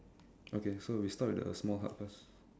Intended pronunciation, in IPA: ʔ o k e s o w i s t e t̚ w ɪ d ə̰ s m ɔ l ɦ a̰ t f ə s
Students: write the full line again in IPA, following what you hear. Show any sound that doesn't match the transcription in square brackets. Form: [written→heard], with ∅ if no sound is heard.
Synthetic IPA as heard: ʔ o k e s o w i s t [e→a] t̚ w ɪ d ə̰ s m ɔ l ɦ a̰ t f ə s

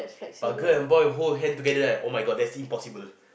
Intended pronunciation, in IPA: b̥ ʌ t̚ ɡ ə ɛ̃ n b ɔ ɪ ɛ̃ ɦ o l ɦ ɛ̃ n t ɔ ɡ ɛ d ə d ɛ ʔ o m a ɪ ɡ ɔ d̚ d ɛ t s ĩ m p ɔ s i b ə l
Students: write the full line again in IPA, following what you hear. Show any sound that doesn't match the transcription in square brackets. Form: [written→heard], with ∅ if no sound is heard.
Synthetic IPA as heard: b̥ [ʌ→a] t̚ ɡ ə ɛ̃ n b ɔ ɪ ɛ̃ ɦ o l ɦ ɛ̃ n t [ɔ→u] ɡ ɛ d ə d ɛ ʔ o m a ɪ ɡ ɔ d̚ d ɛ t s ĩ m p ɔ s i b ə l

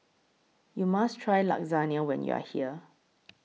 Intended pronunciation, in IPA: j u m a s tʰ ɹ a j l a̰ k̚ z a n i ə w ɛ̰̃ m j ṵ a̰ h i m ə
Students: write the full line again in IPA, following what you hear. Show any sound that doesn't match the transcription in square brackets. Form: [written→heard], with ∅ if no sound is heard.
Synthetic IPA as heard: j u m a s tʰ ɹ a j l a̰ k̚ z a n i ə w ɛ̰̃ [m→n] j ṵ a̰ h i [m→∅] ə

